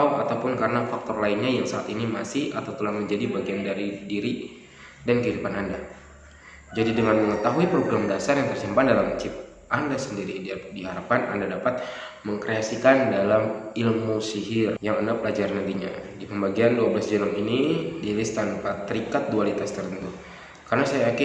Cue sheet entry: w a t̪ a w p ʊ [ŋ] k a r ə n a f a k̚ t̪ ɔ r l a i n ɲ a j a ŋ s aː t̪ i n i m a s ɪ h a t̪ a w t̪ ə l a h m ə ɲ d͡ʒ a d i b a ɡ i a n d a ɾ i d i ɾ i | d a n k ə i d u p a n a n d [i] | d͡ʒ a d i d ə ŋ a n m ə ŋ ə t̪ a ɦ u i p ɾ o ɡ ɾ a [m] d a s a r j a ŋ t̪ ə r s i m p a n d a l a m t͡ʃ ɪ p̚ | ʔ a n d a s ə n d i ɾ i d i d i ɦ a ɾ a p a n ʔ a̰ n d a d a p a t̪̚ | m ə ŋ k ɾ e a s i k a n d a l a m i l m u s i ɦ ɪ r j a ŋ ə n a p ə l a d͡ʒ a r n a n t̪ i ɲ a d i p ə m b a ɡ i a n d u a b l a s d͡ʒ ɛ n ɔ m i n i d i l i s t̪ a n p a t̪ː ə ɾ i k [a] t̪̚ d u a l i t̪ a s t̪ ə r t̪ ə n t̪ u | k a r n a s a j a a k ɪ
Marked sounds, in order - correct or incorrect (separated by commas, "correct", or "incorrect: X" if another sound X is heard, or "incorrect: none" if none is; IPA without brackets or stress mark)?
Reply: incorrect: n, incorrect: a, correct, correct